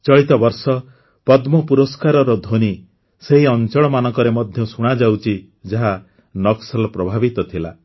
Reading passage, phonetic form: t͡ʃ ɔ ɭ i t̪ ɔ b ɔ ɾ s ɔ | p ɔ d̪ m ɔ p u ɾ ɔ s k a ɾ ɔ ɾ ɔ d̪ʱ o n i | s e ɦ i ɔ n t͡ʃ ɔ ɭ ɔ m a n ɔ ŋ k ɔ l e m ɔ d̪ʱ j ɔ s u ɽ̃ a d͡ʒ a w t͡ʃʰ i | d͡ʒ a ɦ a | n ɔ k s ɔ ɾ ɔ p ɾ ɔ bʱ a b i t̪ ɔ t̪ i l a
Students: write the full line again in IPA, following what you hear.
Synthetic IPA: t͡ʃ ɔ ɭ i t̪ ɔ b ɔ ɾ s ɔ | p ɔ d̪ m ɔ p u ɾ ɔ s k a ɾ ɔ ɾ ɔ d̪ʱ o n i | s e ɦ i ɔ n t͡ʃ ɔ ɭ ɔ m a n ɔ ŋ k ɔ ɾ e m ɔ d̪ʱ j ɔ s u ɽ̃ a d͡ʒ a w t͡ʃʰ i | d͡ʒ a ɦ a | n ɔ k s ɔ l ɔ p ɾ ɔ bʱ a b i t̪ ɔ t̪ʰ i l a

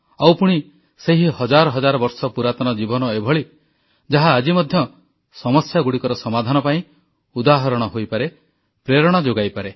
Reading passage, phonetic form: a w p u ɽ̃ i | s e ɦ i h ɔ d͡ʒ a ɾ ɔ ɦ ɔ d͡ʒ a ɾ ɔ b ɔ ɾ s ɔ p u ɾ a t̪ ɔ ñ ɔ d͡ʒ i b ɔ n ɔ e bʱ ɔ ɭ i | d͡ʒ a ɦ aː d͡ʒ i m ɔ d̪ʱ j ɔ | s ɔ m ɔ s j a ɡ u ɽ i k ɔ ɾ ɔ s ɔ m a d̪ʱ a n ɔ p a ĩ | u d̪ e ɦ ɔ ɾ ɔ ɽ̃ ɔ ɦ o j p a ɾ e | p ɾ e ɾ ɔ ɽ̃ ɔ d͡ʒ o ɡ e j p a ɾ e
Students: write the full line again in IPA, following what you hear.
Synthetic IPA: a w p u ɽ̃ i | s e ɦ i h ɔ d͡ʒ a ɾ ɔ ɦ ɔ d͡ʒ a ɾ ɔ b ɔ ɾ s ɔ p u ɾ a t̪ ɔ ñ ɔ d͡ʒ i b ɔ n ɔ e bʱ ɔ ɭ i | d͡ʒ a ɦ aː d͡ʒ i m ɔ d̪ʱ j ɔ | s ɔ m ɔ s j a ɡ u ɽ i k ɔ ɾ ɔ s ɔ m a d̪ʱ a n ɔ p a ĩ | u d̪ a ɦ ɔ ɾ ɔ ɽ̃ ɔ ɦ o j p a ɾ e | p ɾ e ɾ ɔ ɽ̃ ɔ d͡ʒ o ɡ a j p a ɾ e

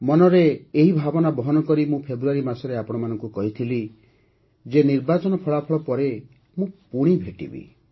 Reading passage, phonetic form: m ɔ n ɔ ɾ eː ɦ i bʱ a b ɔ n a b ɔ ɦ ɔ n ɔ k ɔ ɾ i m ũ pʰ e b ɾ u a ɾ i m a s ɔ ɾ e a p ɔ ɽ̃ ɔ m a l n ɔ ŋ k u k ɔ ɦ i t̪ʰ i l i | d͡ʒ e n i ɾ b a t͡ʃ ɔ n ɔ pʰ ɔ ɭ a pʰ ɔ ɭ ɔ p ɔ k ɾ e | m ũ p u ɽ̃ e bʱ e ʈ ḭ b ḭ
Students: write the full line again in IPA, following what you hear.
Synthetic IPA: m ɔ n ɔ ɾ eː ɦ i bʱ a b ɔ n a b ɔ ɦ ɔ n ɔ k ɔ ɾ i m ũ pʰ e b ɾ u a ɾ i m a s ɔ ɾ e a p ɔ ɽ̃ ɔ m a n ɔ ŋ k u k ɔ ɦ i t̪ʰ i l i | d͡ʒ e n i ɾ b a t͡ʃ ɔ n ɔ pʰ ɔ ɭ a pʰ ɔ ɭ ɔ p ɔ ɾ e | m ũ p u ɽ̃ i bʱ e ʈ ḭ b ḭ

